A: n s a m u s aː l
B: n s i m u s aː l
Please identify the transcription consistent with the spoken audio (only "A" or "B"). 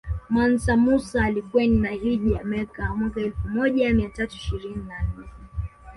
A